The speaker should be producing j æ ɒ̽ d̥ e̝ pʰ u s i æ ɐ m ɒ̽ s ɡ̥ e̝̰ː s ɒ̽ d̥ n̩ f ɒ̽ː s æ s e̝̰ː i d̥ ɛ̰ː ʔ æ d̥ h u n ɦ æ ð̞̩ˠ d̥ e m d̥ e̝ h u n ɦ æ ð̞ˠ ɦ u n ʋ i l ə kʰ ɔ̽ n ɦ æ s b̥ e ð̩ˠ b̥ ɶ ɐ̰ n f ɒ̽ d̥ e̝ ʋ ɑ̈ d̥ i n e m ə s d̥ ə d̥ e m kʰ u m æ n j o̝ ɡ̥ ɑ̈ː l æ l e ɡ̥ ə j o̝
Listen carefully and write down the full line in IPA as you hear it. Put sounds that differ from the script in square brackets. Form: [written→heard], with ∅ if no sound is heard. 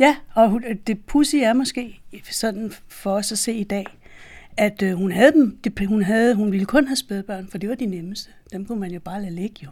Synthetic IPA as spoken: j æ ɒ̽ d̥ e̝ pʰ u s i æ ɐ m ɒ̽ s ɡ̥ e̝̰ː s ɒ̽ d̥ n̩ f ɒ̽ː s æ s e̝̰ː i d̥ ɛ̰ː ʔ æ d̥ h u n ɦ æ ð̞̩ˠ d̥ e m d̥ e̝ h u n ɦ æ ð̞ˠ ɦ u n ʋ i l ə kʰ ɔ̽ n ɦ æ s b̥ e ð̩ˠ b̥ ɶ ɐ̰ n f ɒ̽ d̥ e̝ ʋ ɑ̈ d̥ i n e m ə s d̥ ə d̥ e m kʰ u m æ n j o̝ [ɡ̥→b̥] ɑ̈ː l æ l e ɡ̥ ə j o̝